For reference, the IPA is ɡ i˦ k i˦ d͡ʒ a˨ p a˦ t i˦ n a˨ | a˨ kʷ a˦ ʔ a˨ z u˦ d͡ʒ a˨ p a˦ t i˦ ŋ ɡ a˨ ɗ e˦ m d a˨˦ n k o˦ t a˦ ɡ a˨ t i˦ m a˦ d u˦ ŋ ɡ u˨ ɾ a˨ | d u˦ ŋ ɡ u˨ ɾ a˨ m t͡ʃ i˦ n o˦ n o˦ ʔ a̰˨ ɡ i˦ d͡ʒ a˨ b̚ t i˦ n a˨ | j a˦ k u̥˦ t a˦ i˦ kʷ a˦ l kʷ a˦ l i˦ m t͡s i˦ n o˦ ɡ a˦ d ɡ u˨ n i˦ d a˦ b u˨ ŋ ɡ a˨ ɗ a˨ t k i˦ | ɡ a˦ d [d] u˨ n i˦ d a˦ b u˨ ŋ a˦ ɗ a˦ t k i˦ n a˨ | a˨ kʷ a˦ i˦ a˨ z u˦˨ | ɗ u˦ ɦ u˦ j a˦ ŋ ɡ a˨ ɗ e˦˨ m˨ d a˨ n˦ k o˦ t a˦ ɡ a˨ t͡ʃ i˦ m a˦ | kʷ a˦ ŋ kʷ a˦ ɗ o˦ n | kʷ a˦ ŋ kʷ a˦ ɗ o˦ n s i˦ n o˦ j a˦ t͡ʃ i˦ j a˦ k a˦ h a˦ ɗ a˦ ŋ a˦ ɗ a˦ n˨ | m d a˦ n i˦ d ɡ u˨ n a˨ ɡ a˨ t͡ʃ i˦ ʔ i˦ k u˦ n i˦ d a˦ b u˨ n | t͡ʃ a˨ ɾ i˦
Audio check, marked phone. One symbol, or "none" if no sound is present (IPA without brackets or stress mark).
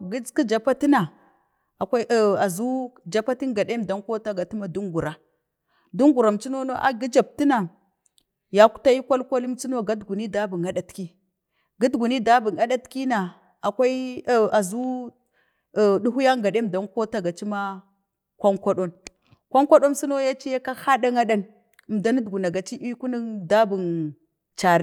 ɡ